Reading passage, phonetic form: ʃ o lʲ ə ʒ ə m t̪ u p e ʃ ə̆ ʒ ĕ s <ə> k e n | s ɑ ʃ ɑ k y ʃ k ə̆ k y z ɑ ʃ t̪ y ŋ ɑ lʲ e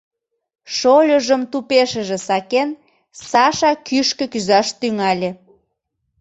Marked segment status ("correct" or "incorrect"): incorrect